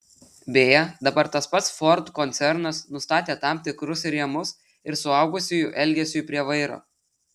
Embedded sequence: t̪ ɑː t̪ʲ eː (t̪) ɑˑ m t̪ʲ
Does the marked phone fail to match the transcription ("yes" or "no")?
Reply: no